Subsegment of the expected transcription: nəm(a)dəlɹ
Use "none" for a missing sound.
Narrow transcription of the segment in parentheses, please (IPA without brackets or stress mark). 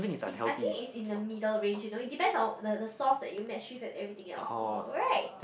i